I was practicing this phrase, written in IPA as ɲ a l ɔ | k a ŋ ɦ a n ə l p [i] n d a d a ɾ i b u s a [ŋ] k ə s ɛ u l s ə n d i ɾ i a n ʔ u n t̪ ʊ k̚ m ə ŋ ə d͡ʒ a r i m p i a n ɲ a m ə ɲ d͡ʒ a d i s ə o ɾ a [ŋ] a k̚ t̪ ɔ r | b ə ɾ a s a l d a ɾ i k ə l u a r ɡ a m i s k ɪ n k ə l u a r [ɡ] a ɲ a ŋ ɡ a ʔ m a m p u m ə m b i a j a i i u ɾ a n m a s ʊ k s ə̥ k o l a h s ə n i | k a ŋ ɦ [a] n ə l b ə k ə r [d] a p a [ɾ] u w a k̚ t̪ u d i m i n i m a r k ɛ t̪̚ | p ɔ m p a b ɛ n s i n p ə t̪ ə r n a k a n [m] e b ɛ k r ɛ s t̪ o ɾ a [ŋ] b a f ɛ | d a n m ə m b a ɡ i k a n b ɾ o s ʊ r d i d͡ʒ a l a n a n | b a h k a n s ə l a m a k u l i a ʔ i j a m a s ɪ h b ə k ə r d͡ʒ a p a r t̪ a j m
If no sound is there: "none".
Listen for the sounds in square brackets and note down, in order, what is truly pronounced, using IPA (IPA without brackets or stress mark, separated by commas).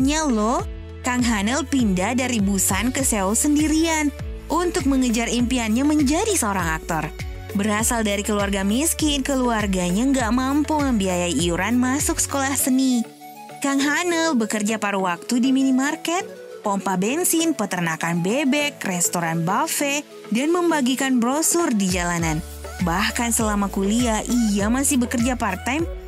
i, n, ŋ, ɡ, a, d͡ʒ, ɾ, b, n